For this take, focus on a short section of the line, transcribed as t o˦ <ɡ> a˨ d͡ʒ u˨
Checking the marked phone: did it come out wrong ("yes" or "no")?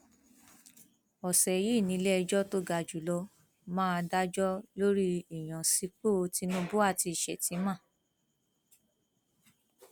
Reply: no